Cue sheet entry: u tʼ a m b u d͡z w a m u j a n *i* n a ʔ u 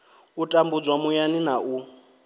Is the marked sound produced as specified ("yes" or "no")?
yes